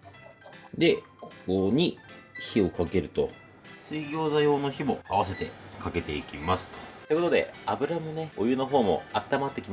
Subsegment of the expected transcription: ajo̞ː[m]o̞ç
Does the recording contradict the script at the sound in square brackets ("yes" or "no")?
yes